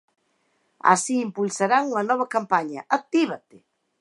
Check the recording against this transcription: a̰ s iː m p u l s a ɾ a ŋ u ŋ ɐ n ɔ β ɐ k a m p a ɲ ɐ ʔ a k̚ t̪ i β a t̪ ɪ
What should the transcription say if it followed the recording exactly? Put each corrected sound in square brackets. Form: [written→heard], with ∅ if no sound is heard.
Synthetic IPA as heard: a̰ s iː m p u l s a ɾ a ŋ u ŋ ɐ n ɔ β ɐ k a m p a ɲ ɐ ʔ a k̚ t̪ i β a t̪ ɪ